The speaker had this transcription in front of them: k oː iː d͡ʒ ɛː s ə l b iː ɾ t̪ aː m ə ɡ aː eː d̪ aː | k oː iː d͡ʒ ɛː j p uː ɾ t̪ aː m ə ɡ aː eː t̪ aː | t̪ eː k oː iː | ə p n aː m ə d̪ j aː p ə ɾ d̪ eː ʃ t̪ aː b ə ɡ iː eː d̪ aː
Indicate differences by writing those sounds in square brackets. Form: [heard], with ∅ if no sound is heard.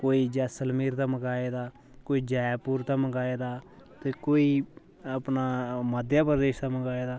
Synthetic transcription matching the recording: k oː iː d͡ʒ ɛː s ə l [m] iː ɾ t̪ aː m ə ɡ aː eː d̪ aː | k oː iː d͡ʒ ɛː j p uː ɾ t̪ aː m ə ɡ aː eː [d̪] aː | t̪ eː k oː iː | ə p n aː m ə d̪ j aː p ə ɾ d̪ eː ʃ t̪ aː [m] ə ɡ [aː] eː d̪ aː